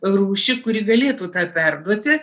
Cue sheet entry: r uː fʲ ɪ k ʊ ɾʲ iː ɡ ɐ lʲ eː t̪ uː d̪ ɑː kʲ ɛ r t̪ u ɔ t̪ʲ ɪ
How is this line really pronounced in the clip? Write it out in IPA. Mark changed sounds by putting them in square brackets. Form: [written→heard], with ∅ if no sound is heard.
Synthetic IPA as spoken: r uː [fʲ→ʃʲ] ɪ k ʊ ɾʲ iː ɡ ɐ lʲ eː t̪ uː [d̪→t̪] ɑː [kʲ→pʲ] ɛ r [t̪→d̪] u ɔ t̪ʲ ɪ